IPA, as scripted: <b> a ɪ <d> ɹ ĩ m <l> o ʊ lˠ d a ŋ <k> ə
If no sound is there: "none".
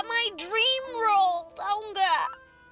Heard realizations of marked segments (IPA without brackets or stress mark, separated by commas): m, d, ɹ, ɡ